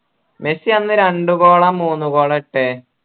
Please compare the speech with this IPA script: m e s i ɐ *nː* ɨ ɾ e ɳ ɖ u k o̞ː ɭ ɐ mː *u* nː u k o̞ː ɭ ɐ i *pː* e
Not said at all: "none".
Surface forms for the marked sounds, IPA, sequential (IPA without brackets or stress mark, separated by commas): nː, uː, ʈː